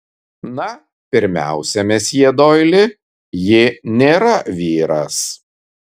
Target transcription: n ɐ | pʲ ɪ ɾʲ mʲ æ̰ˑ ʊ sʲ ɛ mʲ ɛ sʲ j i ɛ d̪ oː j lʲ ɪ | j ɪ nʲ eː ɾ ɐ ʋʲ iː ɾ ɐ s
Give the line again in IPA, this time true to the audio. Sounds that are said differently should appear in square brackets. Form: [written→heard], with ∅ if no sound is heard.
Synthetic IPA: n ɐ | pʲ ɪ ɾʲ mʲ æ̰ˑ ʊ sʲ ɛ mʲ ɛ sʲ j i ɛ d̪ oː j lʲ ɪ | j ɪ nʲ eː ɾ ɐ ʋʲ iː ɾ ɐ s

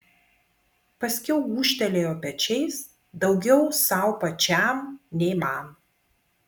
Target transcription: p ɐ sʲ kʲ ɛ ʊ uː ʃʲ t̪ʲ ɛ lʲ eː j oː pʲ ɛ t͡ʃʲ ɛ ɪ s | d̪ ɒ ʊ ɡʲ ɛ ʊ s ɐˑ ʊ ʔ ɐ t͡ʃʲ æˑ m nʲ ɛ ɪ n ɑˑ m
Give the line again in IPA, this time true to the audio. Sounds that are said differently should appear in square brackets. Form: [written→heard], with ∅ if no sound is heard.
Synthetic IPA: p ɐ sʲ kʲ ɛ ʊ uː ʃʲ t̪ʲ ɛ lʲ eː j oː pʲ ɛ t͡ʃʲ ɛ ɪ s | d̪ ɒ ʊ ɡʲ ɛ ʊ s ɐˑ ʊ [ʔ→p] ɐ t͡ʃʲ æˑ m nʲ ɛ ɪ [n→m] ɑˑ m

